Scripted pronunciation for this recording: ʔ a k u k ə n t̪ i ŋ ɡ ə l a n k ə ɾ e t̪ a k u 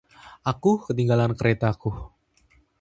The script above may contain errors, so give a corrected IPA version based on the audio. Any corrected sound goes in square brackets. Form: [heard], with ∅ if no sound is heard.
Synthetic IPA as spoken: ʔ a k u k ə [∅] t̪ i ŋ ɡ [a] l a n k ə ɾ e t̪ a k u